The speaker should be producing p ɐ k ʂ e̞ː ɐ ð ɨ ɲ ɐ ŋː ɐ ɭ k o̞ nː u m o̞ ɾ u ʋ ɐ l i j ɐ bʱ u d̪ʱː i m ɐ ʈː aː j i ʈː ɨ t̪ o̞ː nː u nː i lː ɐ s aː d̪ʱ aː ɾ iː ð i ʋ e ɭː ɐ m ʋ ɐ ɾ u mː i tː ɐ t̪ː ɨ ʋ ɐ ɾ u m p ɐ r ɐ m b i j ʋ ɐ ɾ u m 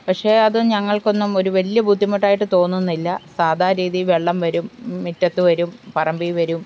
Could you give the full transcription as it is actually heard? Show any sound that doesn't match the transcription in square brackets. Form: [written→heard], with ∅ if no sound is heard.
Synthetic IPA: p ɐ k ʂ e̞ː ɐ ð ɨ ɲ ɐ ŋː ɐ ɭ k o̞ nː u m o̞ ɾ u ʋ ɐ l i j ɐ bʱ u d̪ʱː i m ɐ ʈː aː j i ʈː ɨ t̪ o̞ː nː u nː i lː ɐ s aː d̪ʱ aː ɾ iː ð i ʋ e ɭː ɐ m ʋ ɐ ɾ u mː i tː ɐ t̪ː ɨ ʋ ɐ ɾ u m p ɐ r ɐ m b i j ʋ ɐ ɾ u m